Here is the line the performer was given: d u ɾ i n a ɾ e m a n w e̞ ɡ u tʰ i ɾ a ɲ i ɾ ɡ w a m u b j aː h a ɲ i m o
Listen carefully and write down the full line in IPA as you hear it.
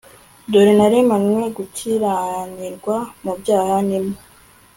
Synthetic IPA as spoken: d o ɾ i n a ɾ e m a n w e̞ ɡ u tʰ i ɾ a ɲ i ɾ ɡ w a m u b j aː h a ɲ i m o